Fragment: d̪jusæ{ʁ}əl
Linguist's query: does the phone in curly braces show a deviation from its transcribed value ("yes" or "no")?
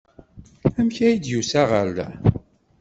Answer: no